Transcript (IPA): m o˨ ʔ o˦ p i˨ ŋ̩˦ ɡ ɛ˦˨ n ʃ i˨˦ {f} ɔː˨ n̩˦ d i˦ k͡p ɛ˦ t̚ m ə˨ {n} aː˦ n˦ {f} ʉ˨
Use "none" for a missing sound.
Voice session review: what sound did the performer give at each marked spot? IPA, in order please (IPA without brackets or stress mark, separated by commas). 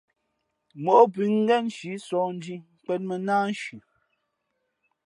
s, n, ʃ